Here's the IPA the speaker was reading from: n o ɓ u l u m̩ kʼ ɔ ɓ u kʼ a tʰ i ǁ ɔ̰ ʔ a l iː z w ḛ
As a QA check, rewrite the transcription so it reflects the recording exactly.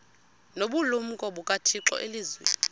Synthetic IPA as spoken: n o ɓ u l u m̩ kʼ ɔ ɓ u kʼ a tʰ i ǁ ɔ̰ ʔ e l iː z w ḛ